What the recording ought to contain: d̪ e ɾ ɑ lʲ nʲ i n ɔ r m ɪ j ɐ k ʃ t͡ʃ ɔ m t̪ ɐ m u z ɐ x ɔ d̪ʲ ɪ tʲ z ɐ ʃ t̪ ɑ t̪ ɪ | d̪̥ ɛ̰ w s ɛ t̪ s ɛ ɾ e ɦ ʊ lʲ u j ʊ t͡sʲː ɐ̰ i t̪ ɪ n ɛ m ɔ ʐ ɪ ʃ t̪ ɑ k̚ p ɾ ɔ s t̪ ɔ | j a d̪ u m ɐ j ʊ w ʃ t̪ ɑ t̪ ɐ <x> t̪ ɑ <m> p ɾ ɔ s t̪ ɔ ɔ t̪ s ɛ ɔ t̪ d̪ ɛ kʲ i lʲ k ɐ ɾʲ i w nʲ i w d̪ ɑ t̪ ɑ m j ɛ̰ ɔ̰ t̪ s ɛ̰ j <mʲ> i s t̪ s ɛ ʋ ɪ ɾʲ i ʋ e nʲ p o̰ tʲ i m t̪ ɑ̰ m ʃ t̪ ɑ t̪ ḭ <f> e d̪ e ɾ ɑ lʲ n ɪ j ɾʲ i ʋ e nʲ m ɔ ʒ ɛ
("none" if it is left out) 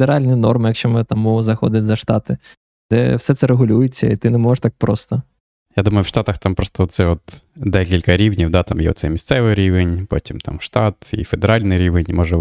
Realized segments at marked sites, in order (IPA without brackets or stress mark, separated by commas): x, m, mʲ, f